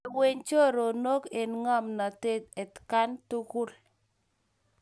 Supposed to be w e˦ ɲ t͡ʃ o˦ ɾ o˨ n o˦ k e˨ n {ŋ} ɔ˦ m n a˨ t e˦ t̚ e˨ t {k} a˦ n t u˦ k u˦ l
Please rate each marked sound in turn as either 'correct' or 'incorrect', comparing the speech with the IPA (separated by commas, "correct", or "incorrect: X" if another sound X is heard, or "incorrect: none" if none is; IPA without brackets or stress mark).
correct, correct